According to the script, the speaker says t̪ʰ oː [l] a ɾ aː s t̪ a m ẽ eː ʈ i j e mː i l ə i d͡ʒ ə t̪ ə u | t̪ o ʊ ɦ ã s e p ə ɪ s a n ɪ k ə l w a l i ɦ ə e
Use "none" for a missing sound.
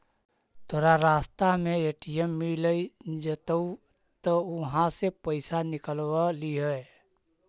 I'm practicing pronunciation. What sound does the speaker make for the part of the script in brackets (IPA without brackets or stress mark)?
ɾ